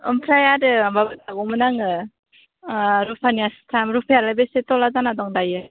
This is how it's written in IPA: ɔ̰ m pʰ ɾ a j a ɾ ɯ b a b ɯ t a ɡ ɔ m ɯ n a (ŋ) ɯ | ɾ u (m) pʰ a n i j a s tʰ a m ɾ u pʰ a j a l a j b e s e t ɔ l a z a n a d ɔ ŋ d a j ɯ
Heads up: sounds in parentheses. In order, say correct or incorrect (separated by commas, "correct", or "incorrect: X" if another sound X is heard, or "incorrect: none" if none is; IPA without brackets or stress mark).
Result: correct, incorrect: none